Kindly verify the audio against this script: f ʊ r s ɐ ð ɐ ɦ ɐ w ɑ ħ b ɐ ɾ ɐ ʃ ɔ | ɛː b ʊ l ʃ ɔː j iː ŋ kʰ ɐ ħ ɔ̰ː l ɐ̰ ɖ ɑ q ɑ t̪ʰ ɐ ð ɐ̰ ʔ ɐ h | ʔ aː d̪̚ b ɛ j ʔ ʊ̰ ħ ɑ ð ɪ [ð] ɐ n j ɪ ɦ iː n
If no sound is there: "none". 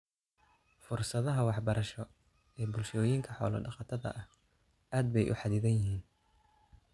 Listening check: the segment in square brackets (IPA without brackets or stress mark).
ð